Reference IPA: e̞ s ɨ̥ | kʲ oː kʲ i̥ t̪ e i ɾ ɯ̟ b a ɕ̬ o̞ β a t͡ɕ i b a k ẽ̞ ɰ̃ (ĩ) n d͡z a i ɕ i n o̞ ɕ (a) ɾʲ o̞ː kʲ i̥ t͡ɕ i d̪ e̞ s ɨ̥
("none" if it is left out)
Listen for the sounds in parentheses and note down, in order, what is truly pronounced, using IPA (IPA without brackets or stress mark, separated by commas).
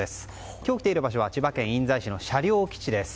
ĩ, a